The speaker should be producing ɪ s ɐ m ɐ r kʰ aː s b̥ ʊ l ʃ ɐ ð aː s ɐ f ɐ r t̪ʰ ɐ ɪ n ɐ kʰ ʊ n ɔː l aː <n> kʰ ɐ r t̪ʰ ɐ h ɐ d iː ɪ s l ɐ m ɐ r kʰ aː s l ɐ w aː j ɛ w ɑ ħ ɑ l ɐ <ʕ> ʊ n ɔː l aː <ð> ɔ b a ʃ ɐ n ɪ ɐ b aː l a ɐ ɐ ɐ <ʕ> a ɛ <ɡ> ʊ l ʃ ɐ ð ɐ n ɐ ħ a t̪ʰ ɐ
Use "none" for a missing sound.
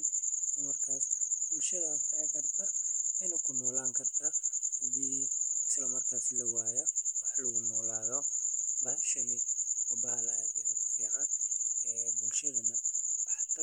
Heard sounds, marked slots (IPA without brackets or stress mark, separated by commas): ŋ, ɣ, ð, ʕ, b